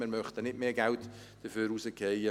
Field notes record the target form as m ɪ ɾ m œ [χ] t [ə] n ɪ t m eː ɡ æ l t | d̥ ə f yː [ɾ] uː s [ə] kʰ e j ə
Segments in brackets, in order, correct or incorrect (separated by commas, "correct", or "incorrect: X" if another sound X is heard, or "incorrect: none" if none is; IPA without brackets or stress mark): correct, correct, correct, correct